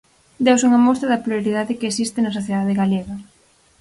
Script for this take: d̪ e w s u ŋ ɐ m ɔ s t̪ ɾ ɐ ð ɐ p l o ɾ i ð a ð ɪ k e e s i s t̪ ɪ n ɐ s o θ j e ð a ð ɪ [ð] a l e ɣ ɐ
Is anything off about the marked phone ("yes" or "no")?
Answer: yes